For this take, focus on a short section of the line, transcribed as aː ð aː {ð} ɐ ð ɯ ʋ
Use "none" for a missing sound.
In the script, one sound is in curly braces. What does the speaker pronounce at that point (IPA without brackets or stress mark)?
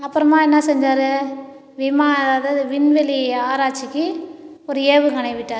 ð